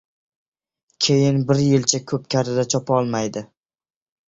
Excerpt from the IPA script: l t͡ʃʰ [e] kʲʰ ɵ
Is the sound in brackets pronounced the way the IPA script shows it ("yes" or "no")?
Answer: no